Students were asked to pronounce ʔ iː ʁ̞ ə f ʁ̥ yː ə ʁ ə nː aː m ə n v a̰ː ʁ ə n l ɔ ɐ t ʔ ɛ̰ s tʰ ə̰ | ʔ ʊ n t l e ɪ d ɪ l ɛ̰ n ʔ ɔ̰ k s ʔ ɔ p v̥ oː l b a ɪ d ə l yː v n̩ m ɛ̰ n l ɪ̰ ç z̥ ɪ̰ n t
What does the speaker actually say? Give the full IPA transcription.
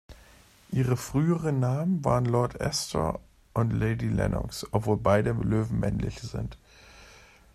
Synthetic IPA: ʔ iː ʁ̞ ə f ʁ̥ yː ə ʁ ə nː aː m ə n v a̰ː ʁ ə n l ɔ ɐ t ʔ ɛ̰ s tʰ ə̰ | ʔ ʊ n t l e ɪ d i l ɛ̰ n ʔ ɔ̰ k s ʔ ɔ p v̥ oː l b a ɪ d ə l øː v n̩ m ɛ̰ n l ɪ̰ ç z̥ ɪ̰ n t